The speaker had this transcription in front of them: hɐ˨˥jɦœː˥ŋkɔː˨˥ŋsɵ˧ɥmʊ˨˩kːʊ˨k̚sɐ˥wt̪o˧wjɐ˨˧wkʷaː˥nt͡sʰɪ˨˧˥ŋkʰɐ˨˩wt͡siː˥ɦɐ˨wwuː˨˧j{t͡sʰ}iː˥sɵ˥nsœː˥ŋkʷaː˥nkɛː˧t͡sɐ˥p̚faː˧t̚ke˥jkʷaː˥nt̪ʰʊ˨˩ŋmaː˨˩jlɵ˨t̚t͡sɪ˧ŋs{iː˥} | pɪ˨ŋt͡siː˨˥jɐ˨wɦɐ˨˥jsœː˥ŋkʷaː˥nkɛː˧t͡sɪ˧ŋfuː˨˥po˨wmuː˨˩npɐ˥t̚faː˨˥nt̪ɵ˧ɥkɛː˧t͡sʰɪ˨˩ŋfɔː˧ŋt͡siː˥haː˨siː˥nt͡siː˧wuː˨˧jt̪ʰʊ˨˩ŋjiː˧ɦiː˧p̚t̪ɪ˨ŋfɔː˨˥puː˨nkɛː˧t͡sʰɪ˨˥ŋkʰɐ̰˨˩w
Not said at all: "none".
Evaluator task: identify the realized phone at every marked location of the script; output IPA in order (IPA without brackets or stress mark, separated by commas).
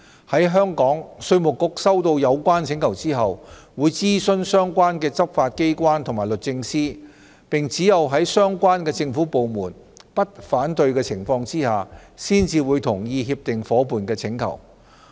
t͡s, iː˥